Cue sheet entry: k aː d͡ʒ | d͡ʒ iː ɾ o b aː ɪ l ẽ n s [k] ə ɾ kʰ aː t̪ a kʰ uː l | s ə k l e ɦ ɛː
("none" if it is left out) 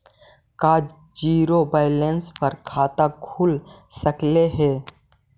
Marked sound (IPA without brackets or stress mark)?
p